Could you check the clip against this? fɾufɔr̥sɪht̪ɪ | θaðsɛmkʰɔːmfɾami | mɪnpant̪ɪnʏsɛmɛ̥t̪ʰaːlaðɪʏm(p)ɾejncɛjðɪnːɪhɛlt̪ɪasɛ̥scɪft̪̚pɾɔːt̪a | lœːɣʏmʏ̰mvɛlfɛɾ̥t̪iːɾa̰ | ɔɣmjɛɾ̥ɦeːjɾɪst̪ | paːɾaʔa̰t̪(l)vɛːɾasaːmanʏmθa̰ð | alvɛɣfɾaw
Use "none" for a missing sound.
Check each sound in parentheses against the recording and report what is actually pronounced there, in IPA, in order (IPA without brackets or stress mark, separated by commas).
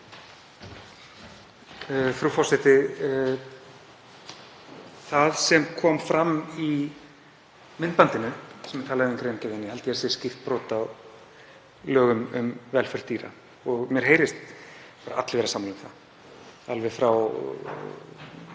k, l